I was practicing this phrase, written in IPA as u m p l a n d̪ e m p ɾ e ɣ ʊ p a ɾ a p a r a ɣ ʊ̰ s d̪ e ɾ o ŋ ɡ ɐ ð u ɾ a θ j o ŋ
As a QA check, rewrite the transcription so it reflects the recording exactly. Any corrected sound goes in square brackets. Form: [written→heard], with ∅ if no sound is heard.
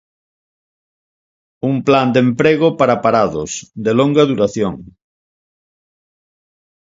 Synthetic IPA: u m p l a n d̪ e m p ɾ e ɣ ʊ p a ɾ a p a [r→ɾ] a [ɣ→ð] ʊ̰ s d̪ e [ɾ→l] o ŋ ɡ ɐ ð u ɾ a θ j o ŋ